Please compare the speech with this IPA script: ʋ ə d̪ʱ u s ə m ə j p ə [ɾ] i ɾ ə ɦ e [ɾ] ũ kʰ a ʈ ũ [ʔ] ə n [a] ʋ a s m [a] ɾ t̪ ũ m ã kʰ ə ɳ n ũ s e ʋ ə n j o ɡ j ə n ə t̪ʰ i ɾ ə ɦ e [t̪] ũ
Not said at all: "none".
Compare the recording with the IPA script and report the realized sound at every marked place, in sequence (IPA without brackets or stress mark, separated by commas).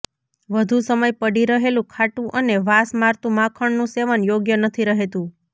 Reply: ɽ, l, ʔ, e, a, t̪